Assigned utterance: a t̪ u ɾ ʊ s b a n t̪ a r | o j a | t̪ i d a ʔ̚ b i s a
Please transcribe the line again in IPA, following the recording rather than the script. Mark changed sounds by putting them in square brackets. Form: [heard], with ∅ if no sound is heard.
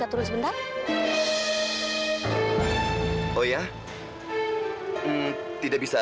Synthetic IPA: a t̪ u ɾ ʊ s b [ə] n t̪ a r | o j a | t̪ i d a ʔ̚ b i s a